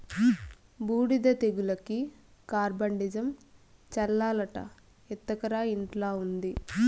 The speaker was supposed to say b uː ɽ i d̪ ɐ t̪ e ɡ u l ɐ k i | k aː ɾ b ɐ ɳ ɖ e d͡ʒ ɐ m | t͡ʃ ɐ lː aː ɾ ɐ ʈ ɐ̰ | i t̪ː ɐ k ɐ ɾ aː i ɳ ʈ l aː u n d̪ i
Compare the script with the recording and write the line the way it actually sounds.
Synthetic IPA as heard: b uː ɽ i d̪ ɐ t̪ e ɡ u l ɐ k i | k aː ɾ b ɐ ɳ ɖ i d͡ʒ ɐ m | t͡ʃ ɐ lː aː l ɐ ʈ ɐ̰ | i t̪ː ɐ k ɐ ɾ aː i ɳ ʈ l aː u n d̪ i